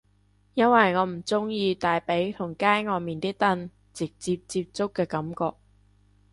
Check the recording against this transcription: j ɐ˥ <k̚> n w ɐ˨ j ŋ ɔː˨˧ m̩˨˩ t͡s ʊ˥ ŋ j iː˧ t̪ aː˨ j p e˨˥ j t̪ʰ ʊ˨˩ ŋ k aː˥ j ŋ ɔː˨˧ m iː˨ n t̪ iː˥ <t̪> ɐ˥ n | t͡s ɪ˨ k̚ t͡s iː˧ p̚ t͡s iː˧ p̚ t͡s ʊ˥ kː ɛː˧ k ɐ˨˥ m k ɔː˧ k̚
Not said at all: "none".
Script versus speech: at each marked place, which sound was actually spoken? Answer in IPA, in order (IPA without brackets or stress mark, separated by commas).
none, t̪